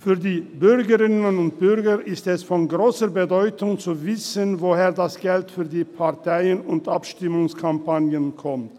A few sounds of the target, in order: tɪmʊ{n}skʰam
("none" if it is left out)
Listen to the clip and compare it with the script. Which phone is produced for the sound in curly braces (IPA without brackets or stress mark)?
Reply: ŋ